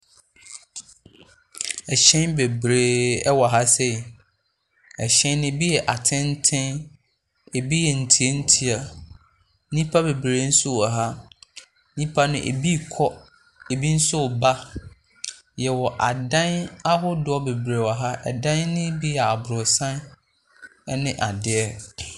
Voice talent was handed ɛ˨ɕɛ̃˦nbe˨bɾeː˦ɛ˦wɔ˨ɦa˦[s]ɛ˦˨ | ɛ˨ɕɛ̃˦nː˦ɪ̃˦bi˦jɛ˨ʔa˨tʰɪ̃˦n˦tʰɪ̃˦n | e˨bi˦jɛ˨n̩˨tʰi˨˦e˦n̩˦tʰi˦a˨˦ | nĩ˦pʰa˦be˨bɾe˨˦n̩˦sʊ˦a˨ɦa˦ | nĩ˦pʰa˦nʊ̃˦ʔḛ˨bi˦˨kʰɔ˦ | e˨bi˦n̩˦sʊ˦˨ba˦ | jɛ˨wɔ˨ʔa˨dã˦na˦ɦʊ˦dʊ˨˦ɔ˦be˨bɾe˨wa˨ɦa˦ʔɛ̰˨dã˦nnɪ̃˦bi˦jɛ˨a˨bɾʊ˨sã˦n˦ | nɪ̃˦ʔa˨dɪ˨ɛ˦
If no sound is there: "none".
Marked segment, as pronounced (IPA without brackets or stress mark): s